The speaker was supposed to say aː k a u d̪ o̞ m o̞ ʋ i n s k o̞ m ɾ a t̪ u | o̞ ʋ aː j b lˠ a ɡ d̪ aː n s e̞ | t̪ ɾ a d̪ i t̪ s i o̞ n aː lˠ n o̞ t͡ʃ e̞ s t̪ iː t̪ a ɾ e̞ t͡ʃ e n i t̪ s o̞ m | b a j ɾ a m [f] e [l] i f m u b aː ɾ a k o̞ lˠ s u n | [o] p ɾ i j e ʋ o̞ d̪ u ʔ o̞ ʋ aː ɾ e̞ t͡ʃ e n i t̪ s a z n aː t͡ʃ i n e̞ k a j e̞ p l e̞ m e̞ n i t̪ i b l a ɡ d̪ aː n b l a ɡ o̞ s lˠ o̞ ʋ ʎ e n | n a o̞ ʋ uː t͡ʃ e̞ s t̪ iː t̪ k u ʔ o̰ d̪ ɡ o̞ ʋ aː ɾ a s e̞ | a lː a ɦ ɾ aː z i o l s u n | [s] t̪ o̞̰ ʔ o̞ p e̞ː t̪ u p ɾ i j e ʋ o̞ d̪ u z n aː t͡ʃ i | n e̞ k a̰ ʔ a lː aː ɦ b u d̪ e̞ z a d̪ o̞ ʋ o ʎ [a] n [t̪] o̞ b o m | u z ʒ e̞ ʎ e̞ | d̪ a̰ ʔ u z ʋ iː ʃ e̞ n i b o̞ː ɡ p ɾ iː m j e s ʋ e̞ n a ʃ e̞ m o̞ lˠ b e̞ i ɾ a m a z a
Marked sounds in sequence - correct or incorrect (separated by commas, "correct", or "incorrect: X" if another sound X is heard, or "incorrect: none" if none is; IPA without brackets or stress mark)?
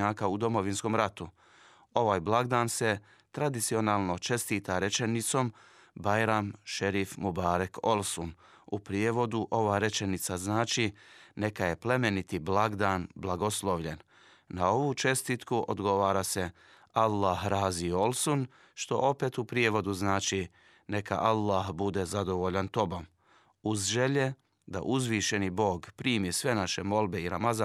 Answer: incorrect: ʃ, incorrect: ɾ, incorrect: u, incorrect: ʃ, correct, correct